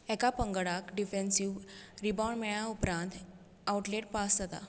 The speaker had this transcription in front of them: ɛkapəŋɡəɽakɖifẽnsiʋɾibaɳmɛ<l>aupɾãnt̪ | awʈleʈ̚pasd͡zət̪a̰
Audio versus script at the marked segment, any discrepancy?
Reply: yes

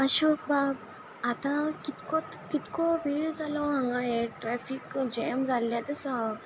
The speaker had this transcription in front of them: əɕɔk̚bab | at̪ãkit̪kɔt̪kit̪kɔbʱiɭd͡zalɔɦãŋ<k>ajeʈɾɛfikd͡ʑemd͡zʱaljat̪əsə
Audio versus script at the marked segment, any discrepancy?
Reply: yes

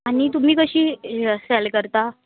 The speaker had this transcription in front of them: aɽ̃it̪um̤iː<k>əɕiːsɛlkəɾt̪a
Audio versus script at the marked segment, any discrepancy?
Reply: no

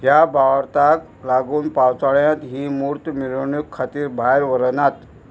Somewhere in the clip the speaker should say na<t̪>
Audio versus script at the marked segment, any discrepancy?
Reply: no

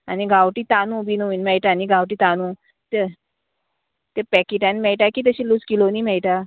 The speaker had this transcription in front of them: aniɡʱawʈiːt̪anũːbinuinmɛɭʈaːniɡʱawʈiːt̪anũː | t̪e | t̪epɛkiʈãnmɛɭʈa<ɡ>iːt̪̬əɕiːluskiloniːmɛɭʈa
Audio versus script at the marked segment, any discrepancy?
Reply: yes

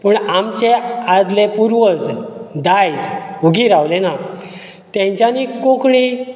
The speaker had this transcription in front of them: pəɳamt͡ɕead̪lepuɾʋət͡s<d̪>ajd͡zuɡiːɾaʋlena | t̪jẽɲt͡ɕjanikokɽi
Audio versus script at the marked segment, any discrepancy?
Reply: no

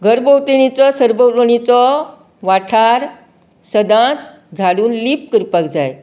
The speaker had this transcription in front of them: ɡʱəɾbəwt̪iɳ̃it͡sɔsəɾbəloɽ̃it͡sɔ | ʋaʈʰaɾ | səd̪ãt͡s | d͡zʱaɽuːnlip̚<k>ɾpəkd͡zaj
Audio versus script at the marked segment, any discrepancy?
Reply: no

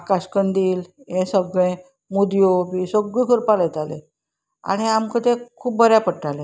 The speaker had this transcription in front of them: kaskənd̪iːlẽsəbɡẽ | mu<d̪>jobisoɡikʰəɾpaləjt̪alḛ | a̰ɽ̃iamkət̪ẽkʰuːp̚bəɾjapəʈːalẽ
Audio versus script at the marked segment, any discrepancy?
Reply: no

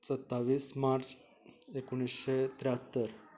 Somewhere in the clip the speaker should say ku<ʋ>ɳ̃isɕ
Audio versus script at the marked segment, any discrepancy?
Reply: yes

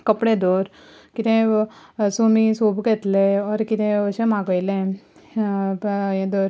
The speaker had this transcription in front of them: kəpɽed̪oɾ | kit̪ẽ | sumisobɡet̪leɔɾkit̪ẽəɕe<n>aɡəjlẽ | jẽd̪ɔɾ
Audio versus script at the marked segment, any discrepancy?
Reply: yes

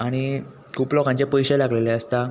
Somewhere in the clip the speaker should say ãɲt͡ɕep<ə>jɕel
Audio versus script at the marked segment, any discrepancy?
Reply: no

